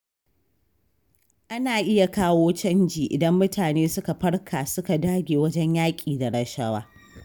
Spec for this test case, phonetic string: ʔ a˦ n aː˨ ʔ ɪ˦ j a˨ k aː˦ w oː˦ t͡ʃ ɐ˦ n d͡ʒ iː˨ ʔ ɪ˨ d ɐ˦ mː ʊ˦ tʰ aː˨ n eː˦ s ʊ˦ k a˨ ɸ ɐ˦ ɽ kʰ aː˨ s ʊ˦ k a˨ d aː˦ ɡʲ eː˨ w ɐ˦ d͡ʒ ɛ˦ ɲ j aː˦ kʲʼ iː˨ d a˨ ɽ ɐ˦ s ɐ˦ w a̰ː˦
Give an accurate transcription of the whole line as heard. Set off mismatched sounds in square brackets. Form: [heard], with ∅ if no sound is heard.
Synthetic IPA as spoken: ʔ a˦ n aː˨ ʔ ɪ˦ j a˨ k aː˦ w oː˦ t͡ʃ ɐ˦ n d͡ʒ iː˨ ʔ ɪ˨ d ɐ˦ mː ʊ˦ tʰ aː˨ n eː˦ s ʊ˦ k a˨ ɸ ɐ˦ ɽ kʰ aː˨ s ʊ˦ k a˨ d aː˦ ɡʲ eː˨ w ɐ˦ d͡ʒ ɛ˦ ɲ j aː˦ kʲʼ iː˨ d a˨ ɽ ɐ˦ [ʃ] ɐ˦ w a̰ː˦